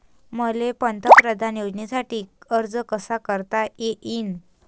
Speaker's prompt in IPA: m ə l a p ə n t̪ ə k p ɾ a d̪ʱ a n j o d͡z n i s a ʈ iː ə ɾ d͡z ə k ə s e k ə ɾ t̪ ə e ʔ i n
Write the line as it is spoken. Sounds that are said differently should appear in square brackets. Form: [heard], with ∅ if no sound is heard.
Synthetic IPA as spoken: m ə l [e] p ə n t̪ ə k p ɾ [ə] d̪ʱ a n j o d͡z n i s a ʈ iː ə ɾ d͡z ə k ə s [a] k ə ɾ t̪ [a] e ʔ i n